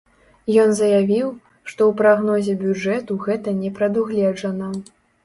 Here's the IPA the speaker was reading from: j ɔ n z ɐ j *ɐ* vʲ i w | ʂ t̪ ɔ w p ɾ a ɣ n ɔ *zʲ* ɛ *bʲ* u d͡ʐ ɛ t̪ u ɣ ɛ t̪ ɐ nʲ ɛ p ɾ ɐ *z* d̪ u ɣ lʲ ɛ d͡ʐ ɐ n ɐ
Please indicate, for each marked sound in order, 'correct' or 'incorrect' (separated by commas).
incorrect, correct, correct, incorrect